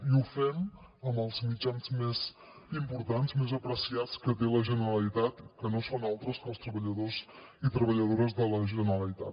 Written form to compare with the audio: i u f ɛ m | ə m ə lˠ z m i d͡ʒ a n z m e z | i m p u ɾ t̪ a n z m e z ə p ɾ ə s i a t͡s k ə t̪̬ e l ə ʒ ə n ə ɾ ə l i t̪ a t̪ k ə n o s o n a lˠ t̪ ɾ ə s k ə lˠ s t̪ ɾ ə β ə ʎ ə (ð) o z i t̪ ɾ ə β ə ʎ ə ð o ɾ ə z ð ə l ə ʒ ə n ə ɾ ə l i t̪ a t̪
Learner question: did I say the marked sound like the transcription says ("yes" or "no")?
yes